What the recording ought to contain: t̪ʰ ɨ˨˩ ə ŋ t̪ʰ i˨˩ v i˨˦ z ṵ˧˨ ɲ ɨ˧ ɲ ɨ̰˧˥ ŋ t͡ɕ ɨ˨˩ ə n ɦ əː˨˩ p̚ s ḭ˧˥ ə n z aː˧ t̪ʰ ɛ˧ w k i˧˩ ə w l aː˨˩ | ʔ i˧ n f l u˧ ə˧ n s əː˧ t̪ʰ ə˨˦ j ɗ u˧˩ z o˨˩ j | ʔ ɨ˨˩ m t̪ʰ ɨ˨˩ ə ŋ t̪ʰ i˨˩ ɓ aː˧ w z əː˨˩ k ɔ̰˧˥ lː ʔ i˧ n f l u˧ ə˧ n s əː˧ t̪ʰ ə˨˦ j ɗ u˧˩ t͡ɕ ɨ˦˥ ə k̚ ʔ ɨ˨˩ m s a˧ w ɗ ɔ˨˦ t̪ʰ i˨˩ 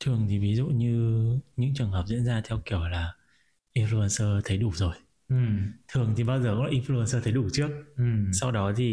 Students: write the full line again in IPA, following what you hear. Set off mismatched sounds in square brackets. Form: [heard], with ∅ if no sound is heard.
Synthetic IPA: t̪ʰ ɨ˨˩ ə ŋ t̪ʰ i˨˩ v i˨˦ z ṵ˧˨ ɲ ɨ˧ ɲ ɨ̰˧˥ ŋ t͡ɕ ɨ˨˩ ə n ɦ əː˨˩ p̚ [z] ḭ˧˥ ə n z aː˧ t̪ʰ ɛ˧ w k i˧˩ ə w l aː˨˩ | ʔ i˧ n f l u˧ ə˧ n s əː˧ t̪ʰ ə˨˦ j ɗ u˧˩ z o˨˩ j | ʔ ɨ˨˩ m t̪ʰ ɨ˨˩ ə ŋ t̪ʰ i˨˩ ɓ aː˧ w z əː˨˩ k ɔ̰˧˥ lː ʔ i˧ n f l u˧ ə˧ n s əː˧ t̪ʰ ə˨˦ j ɗ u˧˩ t͡ɕ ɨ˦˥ ə k̚ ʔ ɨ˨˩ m s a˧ w ɗ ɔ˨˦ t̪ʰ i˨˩